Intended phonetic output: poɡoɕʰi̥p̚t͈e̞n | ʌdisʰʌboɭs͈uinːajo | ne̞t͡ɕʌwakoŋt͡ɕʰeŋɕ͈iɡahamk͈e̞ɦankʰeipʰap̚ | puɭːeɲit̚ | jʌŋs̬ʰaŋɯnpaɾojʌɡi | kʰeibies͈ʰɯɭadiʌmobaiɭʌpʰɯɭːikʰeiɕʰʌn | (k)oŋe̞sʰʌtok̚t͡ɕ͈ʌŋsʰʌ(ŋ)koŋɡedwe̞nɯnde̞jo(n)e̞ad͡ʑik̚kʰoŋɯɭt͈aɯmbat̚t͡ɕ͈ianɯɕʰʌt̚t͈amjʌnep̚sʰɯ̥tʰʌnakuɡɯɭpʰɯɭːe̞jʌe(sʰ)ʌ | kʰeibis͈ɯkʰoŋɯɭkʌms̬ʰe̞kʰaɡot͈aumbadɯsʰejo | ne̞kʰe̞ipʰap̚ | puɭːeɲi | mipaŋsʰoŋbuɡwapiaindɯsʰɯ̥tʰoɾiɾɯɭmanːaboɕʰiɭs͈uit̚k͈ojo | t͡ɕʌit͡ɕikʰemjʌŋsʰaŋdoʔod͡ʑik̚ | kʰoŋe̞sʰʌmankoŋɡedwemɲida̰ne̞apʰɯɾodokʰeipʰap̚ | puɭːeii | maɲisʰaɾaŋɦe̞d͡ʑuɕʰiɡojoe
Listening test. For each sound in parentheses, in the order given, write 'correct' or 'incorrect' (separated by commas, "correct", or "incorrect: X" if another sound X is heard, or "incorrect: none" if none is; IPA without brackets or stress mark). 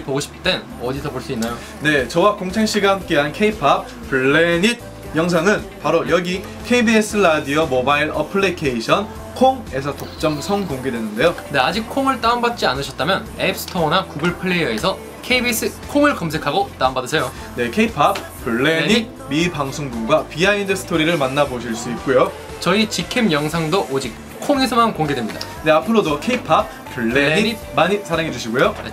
incorrect: kʰ, correct, correct, correct